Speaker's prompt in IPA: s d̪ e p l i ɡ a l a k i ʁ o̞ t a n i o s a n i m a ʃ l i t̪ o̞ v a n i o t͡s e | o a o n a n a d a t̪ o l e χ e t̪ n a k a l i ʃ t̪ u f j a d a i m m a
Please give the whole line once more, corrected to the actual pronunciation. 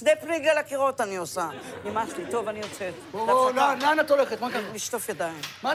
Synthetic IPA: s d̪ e p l i ɡ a l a k i ʁ o̞ t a n i o s a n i m a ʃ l i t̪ o̞ v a n i o t͡s e | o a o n a n a n a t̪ o l e χ e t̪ m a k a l i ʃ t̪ o f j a d a i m m a